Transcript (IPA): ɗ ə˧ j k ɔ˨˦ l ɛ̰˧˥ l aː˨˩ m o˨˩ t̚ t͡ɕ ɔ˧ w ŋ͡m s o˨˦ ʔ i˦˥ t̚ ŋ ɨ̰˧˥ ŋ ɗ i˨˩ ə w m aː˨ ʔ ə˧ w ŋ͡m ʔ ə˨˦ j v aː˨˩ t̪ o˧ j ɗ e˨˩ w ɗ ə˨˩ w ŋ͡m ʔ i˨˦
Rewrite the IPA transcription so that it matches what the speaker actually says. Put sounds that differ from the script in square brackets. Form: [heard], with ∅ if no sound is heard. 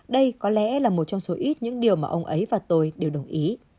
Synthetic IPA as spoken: ɗ ə˧ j k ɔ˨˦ l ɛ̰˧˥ l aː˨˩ m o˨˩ t̚ t͡ɕ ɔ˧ w ŋ͡m s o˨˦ ʔ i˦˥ t̚ [ɲ] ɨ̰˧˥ ŋ ɗ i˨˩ ə w m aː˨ ʔ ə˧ w ŋ͡m ʔ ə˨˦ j v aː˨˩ t̪ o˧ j ɗ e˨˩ w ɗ ə˨˩ w ŋ͡m ʔ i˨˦